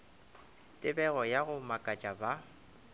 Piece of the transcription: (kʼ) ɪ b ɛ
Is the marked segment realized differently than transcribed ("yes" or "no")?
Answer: yes